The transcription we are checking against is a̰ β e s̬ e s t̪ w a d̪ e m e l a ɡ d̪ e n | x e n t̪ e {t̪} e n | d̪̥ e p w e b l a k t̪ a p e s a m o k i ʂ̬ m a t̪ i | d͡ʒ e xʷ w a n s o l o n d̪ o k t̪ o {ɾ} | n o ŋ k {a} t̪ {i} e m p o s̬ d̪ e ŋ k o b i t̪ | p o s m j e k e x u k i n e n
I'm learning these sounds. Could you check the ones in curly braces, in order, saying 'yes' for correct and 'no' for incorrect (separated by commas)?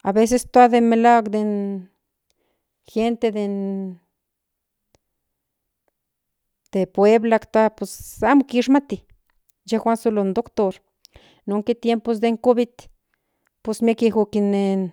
no, yes, no, no